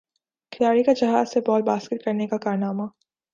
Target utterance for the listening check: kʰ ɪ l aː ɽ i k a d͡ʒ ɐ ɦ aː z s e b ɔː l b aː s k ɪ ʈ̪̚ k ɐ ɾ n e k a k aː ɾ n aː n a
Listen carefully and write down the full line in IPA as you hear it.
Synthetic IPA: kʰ ɪ l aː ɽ i k a d͡ʒ ɐ ɦ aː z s e b ɔː l b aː s k ɪ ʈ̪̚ k ɐ ɾ n e k a k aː ɾ n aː m a